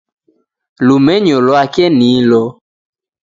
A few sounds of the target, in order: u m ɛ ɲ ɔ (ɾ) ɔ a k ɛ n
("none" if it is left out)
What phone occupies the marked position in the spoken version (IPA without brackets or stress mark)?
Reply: l